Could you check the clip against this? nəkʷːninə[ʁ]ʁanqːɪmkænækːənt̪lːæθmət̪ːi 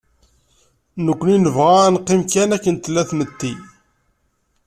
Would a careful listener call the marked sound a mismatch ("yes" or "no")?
yes